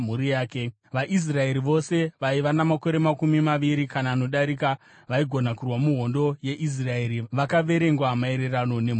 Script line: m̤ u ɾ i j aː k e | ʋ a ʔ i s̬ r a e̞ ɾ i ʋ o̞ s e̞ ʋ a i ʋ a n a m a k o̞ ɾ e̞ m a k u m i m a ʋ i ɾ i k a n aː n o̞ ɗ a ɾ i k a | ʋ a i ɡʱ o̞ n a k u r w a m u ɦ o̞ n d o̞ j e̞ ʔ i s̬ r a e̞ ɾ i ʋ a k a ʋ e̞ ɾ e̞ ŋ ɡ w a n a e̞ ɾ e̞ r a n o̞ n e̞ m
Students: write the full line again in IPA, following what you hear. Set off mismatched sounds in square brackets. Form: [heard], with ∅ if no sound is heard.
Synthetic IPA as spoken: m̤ u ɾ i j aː k e | ʋ a ʔ i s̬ r a e̞ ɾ i ʋ o̞ s e̞ ʋ a i ʋ a n a m a k o̞ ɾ e̞ m a k u m i m a ʋ i ɾ i k a n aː n o̞ ɗ a ɾ i k a | ʋ a i ɡʱ o̞ n a k u r w a m u ɦ o̞ n d o̞ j e̞ ʔ i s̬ r a e̞ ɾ i ʋ a k a ʋ e̞ ɾ e̞ ŋ ɡ w a [m] a e̞ ɾ e̞ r a n o̞ n e̞ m

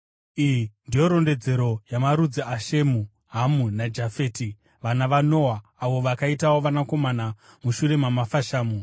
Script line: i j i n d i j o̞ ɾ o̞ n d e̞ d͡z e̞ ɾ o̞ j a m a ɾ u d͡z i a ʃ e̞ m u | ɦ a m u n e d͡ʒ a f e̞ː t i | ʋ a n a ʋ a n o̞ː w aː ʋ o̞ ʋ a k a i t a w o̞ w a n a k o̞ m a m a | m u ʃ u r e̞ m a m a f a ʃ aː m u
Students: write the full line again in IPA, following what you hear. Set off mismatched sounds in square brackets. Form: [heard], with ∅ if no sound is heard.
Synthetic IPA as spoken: i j i n d i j o̞ ɾ o̞ n d e̞ d͡z e̞ ɾ o̞ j a m a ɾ u d͡z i a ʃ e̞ m u | ɦ a m u n [a] d͡ʒ a f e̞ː t i | ʋ a n a ʋ a n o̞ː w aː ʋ o̞ ʋ a k a i t a w o̞ [ʋ] a n a k o̞ m a [n] a | m u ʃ u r e̞ m a m a f a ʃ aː m u

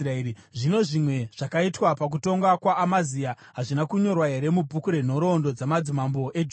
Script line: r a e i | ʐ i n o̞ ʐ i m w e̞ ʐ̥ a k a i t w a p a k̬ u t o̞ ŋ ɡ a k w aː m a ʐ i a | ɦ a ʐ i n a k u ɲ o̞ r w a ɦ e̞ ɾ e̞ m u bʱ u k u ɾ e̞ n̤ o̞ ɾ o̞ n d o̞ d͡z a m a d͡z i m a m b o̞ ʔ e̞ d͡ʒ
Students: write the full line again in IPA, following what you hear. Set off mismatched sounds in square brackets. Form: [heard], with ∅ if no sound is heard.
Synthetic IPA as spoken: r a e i | ʐ i n o̞ ʐ i m w e̞ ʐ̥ a k a i t w a p a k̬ u t o̞ ŋ ɡ a k w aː m a [z] i a | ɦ a ʐ i n a k u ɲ o̞ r w a ɦ e̞ ɾ e̞ m u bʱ u k u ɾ e̞ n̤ o̞ ɾ o̞ n d o̞ d͡z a m a d͡z i m a m b o̞ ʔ e̞ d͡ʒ

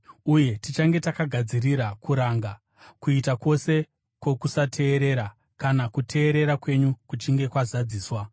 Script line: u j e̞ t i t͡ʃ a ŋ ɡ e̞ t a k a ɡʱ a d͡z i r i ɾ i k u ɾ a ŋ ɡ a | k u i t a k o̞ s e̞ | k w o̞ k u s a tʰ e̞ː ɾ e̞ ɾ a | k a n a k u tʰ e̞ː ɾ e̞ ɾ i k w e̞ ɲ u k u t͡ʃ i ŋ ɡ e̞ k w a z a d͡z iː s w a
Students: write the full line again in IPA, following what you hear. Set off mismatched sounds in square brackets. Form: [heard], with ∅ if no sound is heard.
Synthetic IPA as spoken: u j e̞ t i t͡ʃ a ŋ ɡ e̞ t a k a ɡʱ a d͡z i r i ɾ [a] k u ɾ a ŋ ɡ a | k u i t a k o̞ s e̞ | k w o̞ k u s a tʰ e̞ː ɾ e̞ ɾ a | k a n a k u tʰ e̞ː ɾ e̞ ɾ [a] k w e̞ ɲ u k u t͡ʃ i ŋ ɡ e̞ k w a z a d͡z iː s w a

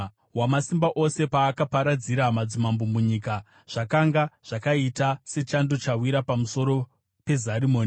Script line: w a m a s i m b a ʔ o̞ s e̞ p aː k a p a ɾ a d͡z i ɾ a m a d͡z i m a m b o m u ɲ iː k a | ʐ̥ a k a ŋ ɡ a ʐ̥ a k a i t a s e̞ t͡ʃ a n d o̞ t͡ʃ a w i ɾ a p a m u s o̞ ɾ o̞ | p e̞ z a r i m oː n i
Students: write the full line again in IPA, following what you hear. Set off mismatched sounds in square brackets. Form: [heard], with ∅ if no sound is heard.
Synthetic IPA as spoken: w a m a s i m b a ʔ o̞ s e̞ p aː k a p a ɾ a d͡z i ɾ a m a d͡z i m a m b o m u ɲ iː k a | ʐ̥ a k a ŋ ɡ a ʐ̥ a k a i t a s e̞ t͡ʃ a n d o̞ t͡ʃ a w i ɾ a p a m u s o̞ ɾ o̞ | p e̞ z a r i m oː n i

